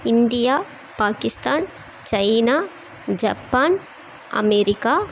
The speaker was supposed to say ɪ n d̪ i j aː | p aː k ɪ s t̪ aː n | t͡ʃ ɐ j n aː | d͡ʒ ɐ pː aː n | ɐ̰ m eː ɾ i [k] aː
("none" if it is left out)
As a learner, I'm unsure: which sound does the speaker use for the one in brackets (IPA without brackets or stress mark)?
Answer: k